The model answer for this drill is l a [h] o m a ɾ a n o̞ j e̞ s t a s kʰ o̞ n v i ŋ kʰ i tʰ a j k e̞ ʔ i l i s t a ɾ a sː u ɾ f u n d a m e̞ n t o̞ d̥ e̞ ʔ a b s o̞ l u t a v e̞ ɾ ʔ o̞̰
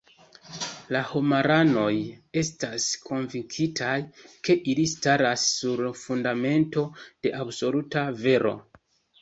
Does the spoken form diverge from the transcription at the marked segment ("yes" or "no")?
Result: no